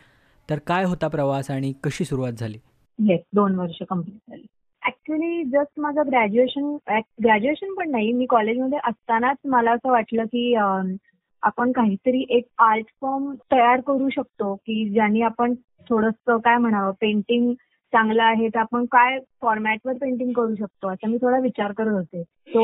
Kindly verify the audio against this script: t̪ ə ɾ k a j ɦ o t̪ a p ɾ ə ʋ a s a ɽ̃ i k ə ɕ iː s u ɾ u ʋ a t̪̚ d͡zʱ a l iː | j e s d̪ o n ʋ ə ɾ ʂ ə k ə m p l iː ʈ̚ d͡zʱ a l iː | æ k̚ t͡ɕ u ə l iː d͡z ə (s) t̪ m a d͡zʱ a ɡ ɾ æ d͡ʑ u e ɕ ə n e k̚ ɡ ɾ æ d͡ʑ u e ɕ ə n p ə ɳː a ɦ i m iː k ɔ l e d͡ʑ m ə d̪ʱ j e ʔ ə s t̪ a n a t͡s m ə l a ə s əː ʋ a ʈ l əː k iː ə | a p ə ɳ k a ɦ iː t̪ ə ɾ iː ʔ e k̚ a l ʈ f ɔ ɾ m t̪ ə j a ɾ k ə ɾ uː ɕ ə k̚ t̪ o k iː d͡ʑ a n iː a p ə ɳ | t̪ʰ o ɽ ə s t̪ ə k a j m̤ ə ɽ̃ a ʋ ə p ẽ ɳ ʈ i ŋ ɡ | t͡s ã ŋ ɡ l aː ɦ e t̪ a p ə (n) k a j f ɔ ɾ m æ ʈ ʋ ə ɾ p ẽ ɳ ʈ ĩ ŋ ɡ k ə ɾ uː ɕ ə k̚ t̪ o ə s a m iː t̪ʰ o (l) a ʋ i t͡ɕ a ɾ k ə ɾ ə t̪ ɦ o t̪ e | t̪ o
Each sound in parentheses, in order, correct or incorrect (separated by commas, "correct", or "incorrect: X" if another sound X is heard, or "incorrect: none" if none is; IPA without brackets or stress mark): correct, incorrect: ɳ, incorrect: ɽ